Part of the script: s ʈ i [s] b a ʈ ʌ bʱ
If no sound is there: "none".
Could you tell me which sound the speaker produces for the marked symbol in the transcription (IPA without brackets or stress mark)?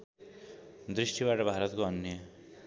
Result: none